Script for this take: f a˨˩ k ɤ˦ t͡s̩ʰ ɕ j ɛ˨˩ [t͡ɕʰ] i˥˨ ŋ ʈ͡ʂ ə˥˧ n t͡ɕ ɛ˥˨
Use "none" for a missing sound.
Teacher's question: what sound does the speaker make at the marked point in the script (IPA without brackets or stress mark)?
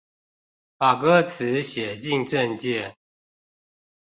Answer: t͡ɕ